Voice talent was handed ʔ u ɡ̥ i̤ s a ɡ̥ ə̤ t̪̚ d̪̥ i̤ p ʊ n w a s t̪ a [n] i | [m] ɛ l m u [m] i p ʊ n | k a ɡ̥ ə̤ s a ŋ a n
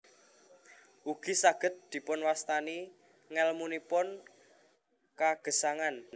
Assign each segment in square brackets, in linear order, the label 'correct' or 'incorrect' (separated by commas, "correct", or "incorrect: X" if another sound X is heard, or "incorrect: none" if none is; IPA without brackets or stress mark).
correct, incorrect: ŋ, incorrect: n